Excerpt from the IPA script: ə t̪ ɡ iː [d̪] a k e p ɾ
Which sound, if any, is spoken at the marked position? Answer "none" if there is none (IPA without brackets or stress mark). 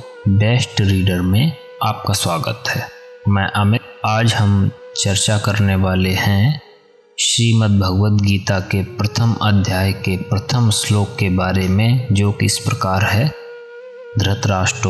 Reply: t̪